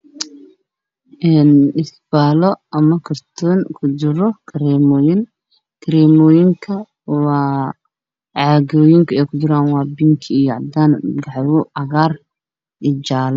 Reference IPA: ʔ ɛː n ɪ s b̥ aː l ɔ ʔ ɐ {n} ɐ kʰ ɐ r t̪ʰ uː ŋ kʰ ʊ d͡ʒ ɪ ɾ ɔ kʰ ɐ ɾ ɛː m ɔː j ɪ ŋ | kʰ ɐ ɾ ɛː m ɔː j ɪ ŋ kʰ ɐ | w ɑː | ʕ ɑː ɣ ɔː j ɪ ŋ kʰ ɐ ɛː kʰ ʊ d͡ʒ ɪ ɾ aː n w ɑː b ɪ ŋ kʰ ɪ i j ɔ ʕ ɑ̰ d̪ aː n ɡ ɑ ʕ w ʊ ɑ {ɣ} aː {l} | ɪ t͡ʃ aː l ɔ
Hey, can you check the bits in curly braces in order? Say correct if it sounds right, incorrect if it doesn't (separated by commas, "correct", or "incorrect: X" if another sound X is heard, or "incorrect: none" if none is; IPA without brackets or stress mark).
incorrect: m, correct, incorrect: r